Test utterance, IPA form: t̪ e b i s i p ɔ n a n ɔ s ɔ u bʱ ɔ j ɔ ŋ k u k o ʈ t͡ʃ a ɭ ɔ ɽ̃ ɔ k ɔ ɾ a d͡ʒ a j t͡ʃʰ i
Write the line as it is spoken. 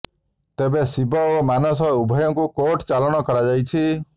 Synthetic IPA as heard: t̪ e b e s i b ɔ m a n ɔ s ɔ u bʱ ɔ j ɔ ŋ k u k o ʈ t͡ʃ a l ɔ ɽ̃ ɔ k ɔ ɾ a d͡ʒ a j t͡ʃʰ i